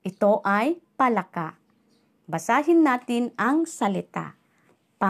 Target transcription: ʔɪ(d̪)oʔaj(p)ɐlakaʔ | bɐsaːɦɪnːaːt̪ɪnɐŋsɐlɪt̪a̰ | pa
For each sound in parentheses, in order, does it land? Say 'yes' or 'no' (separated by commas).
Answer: no, yes